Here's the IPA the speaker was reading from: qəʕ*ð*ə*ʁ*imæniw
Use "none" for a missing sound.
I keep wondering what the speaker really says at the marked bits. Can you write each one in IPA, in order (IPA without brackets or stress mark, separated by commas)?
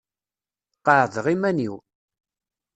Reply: ð, ʁ